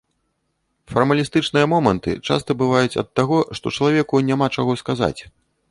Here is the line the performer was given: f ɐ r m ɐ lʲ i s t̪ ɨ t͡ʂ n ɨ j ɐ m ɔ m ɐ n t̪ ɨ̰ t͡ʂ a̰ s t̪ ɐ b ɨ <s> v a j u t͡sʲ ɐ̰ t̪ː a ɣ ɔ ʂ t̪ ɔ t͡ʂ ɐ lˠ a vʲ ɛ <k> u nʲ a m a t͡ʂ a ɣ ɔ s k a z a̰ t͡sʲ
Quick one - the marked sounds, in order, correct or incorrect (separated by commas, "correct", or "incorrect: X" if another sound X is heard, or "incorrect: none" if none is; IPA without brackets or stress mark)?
incorrect: none, correct